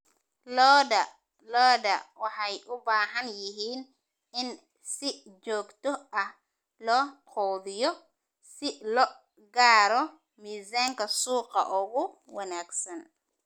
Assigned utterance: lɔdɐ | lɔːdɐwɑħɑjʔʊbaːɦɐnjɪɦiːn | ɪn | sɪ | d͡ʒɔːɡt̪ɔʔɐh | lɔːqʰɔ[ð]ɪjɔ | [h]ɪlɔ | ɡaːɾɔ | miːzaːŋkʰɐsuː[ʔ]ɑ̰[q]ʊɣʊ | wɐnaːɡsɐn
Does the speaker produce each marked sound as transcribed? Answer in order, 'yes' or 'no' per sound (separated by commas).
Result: yes, no, no, no